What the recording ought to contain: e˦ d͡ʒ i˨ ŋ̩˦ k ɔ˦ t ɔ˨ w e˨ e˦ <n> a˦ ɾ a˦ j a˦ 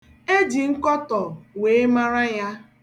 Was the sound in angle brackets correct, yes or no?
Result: no